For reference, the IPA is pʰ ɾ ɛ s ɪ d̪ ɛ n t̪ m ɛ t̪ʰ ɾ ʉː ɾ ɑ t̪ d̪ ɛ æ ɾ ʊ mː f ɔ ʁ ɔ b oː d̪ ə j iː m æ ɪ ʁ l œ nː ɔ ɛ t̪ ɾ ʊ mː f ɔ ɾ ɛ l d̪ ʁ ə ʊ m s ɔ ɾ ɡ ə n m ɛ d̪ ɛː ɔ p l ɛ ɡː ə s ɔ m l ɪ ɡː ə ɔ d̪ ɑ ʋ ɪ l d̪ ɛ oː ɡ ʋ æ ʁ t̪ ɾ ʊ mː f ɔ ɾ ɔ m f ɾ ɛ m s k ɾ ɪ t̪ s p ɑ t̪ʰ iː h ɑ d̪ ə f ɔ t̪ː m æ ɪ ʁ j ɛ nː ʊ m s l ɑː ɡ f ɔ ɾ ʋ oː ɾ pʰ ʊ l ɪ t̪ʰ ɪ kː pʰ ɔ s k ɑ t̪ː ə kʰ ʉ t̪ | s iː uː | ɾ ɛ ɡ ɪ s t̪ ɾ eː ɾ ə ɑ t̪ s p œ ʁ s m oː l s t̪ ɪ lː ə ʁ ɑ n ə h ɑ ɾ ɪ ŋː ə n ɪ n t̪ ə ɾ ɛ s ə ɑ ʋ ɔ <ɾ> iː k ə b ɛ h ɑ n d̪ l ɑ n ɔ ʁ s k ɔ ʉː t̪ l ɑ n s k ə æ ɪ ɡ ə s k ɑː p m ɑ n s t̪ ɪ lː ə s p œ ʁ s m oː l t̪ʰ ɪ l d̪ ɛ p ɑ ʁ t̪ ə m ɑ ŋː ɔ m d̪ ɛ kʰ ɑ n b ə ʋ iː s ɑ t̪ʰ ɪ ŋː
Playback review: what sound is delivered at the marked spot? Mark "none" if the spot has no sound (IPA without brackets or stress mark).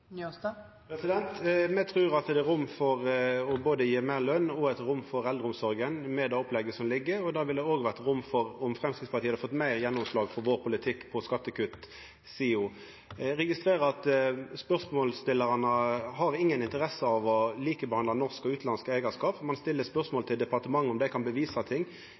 l